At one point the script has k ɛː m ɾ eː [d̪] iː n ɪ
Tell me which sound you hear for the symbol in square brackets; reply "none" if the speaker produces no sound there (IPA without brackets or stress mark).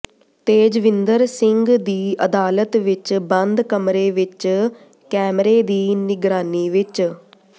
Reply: d̪